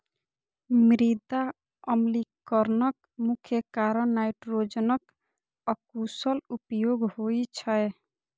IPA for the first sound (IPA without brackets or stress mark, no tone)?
m